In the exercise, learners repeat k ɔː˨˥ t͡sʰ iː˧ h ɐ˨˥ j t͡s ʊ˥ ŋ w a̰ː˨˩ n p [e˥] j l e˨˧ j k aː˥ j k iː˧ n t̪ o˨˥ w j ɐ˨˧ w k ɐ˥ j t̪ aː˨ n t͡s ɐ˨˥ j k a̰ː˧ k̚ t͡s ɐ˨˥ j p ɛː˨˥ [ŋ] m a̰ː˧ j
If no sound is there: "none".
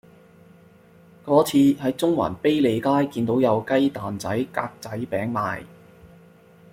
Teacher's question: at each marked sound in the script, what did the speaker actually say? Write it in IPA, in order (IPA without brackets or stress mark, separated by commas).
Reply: e˥, ŋ